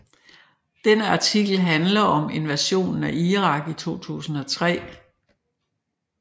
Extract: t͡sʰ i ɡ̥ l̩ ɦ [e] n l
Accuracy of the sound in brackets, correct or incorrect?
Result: incorrect